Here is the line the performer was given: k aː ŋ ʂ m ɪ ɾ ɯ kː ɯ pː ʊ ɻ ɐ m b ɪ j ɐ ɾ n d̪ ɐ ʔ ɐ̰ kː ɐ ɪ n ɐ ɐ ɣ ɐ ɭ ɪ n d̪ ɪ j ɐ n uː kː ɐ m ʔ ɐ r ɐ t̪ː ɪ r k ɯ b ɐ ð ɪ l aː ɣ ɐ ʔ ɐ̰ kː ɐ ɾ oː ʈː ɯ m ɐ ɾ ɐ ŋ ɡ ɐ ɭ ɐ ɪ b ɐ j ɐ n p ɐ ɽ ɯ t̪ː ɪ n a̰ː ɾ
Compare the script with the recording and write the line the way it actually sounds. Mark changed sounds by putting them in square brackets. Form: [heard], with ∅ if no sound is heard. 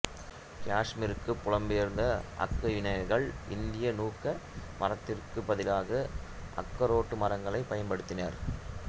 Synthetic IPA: k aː [∅] ʂ m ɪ ɾ ɯ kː ɯ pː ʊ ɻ ɐ m b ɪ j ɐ ɾ n d̪ ɐ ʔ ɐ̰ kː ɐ ɪ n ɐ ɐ ɣ ɐ ɭ ɪ n d̪ ɪ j ɐ n uː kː ɐ m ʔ ɐ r ɐ t̪ː ɪ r k ɯ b ɐ ð ɪ l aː ɣ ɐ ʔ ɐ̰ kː ɐ ɾ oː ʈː ɯ m ɐ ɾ ɐ ŋ ɡ ɐ ɭ ɐ ɪ [p] ɐ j ɐ n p ɐ ɽ ɯ t̪ː ɪ n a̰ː ɾ